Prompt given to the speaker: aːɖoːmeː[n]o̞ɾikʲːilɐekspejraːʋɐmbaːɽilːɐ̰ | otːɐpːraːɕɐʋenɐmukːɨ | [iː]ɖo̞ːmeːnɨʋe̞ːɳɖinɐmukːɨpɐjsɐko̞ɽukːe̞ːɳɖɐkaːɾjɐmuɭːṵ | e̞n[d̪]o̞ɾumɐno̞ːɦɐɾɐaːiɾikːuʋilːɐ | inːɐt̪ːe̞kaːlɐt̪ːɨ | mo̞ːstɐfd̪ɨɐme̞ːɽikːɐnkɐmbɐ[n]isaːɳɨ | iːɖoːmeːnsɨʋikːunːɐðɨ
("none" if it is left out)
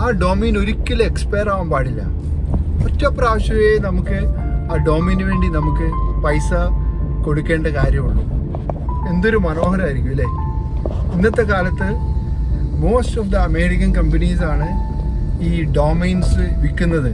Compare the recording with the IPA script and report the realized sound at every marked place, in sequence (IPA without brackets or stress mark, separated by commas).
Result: n, aː, d̪, n